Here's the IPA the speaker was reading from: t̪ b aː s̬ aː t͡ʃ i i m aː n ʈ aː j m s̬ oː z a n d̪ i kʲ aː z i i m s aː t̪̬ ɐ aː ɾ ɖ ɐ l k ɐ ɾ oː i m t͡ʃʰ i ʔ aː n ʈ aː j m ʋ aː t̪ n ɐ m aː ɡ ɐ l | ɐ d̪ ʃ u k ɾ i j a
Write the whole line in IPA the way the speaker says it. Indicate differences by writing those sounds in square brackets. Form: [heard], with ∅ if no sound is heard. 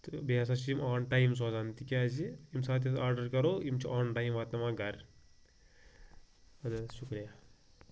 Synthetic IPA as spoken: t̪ b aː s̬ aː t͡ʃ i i m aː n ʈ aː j m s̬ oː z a n [t̪] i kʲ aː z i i m s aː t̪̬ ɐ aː ɾ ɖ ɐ [ɾ] k ɐ ɾ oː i m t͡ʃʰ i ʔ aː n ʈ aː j m ʋ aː t̪ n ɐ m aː ɡ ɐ [ɾ] | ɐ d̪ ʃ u k ɾ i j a